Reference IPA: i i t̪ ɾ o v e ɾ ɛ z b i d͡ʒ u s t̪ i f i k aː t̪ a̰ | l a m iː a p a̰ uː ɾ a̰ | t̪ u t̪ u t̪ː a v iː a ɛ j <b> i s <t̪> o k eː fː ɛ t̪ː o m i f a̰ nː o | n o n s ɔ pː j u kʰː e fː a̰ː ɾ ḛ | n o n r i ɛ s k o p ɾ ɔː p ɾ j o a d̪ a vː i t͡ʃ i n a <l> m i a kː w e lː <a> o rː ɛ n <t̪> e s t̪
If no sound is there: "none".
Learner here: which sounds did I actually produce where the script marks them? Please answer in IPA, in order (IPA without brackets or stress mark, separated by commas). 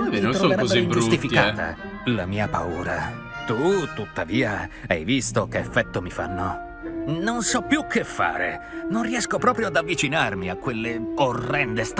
v, t̪, r, e, d̪